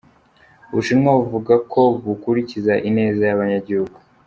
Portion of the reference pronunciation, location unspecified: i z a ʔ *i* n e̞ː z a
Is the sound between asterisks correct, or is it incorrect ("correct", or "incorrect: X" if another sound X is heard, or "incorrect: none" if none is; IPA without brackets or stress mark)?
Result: correct